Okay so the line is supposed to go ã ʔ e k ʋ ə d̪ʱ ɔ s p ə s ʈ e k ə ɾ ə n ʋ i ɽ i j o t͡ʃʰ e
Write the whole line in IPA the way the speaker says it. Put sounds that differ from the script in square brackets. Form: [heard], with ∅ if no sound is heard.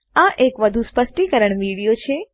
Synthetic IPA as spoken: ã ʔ e k ʋ ə d̪ʱ [u] s p ə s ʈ [i] k ə ɾ ə [ɳ] ʋ i ɽ i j o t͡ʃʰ e